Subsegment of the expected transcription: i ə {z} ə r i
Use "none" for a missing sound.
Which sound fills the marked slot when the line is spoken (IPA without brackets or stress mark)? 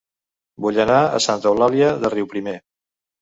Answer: ð